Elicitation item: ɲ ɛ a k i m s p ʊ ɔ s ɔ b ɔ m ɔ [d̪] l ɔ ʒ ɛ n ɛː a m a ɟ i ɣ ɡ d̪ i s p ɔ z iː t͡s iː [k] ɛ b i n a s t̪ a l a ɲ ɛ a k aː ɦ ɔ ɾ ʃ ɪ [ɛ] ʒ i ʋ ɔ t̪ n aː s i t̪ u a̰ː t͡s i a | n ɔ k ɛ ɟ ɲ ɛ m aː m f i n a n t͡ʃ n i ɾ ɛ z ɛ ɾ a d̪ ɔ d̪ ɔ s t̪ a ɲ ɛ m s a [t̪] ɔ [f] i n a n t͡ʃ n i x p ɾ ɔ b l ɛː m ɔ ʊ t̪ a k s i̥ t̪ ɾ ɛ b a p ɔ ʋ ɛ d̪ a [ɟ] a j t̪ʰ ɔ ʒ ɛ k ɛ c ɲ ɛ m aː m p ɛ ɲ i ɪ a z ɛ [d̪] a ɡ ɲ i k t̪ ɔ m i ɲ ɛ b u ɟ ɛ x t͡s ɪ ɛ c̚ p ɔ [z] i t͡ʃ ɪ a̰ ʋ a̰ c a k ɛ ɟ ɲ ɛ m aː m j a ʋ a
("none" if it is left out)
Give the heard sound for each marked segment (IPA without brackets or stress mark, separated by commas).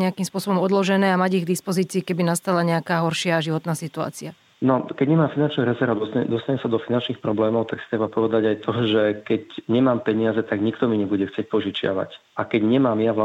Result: d̪, k, a, d̪, f, ɟ, t̪, ʒ